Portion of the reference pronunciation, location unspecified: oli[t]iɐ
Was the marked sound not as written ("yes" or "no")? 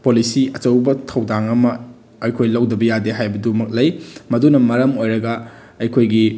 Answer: yes